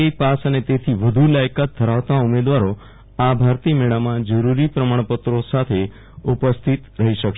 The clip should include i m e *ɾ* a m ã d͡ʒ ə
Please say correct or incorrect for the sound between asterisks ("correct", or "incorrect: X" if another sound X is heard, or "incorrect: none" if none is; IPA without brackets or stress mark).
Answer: incorrect: ɭ